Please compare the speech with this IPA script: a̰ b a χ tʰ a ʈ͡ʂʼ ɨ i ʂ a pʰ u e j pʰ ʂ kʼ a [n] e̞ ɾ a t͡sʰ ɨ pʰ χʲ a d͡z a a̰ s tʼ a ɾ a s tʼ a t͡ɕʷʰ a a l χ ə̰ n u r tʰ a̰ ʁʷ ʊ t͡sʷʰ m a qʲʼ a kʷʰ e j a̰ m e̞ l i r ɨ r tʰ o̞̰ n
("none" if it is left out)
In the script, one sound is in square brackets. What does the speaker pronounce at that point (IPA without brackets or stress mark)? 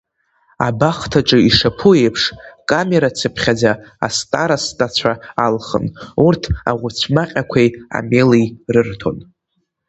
m